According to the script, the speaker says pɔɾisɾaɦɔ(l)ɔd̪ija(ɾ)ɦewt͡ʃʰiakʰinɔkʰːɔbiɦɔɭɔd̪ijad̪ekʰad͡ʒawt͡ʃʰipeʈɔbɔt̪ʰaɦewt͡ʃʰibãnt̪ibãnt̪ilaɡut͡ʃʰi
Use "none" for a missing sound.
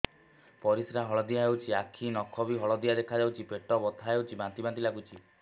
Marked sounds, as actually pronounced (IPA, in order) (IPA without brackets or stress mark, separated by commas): ɭ, none